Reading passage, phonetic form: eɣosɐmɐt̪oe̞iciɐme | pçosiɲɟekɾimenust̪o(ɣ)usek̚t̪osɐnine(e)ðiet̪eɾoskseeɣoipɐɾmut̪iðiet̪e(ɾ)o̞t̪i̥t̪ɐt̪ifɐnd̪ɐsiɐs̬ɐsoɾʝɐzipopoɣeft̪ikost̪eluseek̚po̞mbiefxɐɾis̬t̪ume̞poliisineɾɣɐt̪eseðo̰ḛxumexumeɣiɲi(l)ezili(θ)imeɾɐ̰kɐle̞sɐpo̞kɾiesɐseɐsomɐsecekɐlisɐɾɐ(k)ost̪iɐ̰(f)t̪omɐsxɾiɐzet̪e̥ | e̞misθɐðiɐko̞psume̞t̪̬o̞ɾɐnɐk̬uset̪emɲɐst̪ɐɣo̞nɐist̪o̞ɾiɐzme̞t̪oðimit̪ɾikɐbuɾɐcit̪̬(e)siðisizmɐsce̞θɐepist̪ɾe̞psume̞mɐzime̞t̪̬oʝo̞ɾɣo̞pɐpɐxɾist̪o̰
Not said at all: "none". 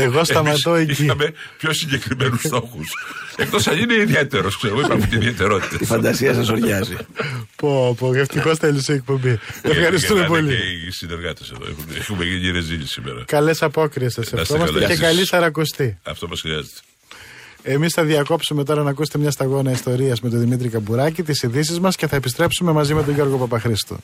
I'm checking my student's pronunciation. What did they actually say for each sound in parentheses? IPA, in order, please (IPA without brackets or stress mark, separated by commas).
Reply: x, i, ɾ, ɾ, s, k, f, i